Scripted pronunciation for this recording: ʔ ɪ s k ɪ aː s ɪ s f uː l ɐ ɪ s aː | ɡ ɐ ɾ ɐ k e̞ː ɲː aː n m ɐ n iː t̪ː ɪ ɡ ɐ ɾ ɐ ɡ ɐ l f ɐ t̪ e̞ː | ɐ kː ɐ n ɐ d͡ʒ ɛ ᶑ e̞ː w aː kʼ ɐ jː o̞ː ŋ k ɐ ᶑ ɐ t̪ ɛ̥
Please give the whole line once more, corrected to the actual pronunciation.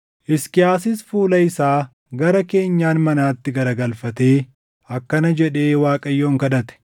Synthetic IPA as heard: ʔ ɪ s k ɪ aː s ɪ s f uː l ɐ ɪ s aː | ɡ ɐ ɾ ɐ k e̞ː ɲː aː n m ɐ n aː t̪ː ɪ ɡ ɐ ɾ ɐ ɡ ɐ l f ɐ t̪ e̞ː | ɐ kː ɐ n ɐ d͡ʒ ɛ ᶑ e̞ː w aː kʼ ɐ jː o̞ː ŋ k ɐ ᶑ ɐ t̪ ɛ̥